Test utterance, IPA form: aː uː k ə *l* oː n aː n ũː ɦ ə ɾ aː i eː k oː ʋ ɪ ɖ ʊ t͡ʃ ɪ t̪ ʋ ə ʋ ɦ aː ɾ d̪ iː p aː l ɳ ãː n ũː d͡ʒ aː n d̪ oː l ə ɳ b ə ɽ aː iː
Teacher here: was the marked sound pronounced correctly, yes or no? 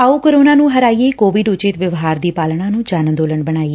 no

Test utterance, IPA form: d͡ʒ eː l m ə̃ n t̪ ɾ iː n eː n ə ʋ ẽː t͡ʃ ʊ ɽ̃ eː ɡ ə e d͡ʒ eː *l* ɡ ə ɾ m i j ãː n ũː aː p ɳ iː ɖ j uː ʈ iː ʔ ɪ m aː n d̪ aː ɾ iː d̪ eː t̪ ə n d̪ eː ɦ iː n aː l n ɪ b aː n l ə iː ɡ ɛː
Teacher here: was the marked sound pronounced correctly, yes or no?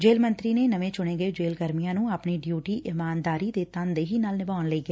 yes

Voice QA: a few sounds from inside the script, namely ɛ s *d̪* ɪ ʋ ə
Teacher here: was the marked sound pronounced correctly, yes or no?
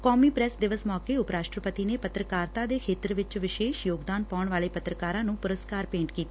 yes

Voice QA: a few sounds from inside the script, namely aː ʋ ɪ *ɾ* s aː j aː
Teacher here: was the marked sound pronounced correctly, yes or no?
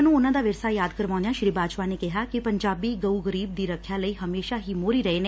yes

